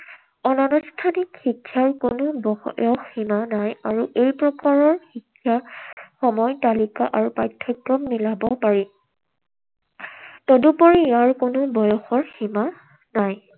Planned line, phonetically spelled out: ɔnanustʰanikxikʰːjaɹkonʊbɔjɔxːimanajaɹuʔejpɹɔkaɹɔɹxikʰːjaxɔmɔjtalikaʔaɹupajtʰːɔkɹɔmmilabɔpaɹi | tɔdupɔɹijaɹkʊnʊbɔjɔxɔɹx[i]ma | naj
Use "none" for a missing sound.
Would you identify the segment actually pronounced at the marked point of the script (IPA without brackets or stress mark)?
i